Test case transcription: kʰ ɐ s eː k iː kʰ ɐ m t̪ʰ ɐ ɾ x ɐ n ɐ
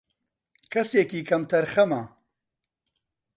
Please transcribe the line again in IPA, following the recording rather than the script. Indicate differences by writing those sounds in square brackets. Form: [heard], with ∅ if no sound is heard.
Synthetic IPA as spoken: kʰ ɐ s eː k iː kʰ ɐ m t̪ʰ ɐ ɾ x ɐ [m] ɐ